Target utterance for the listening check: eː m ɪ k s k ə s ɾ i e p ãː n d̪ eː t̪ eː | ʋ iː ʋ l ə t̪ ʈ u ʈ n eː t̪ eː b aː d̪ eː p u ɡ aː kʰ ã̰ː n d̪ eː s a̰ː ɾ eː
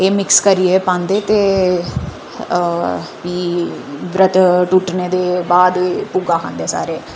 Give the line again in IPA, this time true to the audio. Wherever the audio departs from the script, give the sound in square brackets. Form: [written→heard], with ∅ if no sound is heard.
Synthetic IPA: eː m ɪ k s k ə [s→∅] ɾ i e p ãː n d̪ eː t̪ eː | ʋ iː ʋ [l→ɾ] ə t̪ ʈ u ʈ n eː [t̪→d̪] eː b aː d̪ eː p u ɡ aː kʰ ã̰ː n d̪ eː s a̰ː ɾ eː